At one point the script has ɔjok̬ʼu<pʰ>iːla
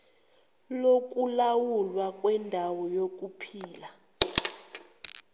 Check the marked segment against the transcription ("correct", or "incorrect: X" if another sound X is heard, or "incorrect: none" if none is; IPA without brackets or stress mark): correct